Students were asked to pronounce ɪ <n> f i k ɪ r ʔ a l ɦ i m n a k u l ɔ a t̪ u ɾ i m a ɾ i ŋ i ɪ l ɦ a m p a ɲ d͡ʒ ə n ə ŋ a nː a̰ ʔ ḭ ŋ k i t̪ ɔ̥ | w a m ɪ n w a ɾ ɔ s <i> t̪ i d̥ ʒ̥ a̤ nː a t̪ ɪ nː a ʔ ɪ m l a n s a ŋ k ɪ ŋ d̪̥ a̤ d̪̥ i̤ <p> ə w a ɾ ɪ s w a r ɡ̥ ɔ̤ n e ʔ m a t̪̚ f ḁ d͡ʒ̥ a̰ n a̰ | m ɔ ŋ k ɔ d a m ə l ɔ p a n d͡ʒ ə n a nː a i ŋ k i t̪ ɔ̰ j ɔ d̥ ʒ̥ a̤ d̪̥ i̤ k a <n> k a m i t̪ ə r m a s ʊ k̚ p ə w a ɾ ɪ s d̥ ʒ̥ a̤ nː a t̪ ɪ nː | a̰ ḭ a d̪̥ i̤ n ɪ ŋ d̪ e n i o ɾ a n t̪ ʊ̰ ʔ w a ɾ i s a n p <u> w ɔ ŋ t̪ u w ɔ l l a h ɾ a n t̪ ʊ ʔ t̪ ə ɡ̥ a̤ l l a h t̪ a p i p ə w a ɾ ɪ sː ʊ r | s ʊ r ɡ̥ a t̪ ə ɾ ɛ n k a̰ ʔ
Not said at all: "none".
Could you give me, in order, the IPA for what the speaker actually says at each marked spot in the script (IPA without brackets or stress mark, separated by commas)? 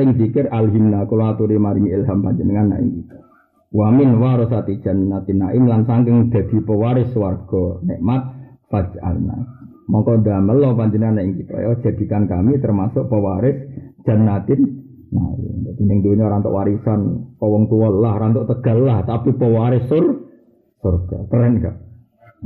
ŋ, a, p, n, ɔ